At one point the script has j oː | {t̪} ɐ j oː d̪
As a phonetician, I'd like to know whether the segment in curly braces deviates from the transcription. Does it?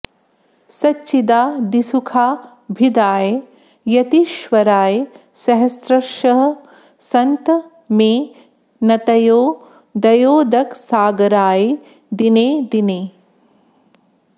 yes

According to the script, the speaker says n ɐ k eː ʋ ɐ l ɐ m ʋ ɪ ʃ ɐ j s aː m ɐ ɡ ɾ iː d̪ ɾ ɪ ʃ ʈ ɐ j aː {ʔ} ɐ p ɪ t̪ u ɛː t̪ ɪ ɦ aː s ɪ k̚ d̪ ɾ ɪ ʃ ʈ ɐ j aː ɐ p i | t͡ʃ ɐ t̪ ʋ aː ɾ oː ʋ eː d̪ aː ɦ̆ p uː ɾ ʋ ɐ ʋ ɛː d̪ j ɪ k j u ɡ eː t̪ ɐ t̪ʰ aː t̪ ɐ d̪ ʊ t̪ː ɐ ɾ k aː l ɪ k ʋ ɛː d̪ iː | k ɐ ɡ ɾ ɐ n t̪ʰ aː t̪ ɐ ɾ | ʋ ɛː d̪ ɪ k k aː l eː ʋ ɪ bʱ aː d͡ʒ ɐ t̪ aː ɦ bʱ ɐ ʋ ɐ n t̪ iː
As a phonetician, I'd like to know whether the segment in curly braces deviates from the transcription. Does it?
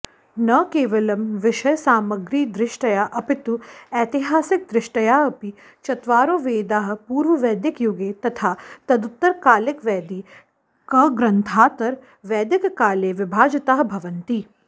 no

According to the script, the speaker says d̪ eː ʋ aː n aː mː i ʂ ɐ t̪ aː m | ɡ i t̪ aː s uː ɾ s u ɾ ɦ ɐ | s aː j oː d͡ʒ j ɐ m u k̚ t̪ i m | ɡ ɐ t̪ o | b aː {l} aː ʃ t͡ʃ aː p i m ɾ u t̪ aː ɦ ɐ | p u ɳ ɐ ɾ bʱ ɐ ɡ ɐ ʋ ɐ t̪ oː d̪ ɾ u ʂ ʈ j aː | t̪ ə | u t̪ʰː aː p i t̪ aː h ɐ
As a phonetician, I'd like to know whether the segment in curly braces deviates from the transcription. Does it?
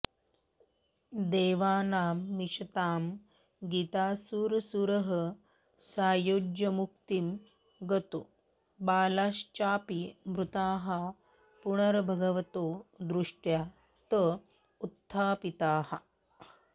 no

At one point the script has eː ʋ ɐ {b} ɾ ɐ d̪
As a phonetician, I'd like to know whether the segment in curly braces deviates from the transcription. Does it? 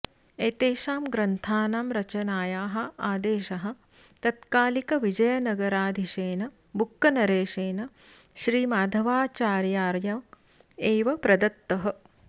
yes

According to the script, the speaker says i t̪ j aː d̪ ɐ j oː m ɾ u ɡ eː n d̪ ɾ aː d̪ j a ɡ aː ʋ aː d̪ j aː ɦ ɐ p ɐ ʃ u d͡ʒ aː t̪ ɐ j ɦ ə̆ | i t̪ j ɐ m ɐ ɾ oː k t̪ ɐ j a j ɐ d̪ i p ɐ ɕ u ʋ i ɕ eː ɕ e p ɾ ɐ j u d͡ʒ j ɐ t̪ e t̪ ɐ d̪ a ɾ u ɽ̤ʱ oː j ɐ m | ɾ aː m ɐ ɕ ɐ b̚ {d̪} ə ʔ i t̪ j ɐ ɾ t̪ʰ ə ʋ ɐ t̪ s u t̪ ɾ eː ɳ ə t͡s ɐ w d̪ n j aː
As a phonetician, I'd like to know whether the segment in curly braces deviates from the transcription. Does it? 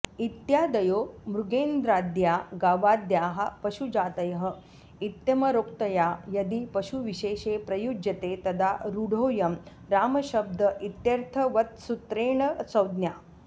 no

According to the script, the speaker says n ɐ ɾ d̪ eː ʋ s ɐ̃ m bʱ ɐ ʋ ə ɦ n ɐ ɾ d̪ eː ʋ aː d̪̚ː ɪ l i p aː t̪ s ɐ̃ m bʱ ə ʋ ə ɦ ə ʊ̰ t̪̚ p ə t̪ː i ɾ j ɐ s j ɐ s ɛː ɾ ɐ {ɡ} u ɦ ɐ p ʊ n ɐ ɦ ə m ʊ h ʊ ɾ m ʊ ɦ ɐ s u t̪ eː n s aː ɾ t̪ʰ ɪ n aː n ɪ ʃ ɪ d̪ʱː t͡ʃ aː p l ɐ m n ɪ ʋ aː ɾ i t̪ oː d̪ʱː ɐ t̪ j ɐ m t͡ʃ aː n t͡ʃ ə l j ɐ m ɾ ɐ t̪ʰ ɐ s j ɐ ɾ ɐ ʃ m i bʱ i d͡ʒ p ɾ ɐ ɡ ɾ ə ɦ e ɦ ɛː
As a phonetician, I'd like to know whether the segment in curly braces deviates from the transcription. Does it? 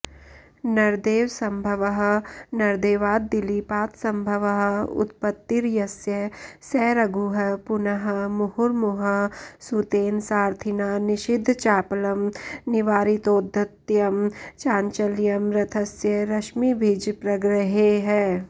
no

